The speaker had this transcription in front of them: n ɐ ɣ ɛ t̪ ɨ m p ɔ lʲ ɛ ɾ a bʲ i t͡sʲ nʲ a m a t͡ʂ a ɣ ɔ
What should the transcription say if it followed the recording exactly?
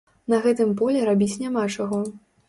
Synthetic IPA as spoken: n ɐ ɣ ɛ t̪ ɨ m p ɔ lʲ ɛ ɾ a bʲ i t͡sʲ nʲ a m a t͡ʂ a ɣ ɔ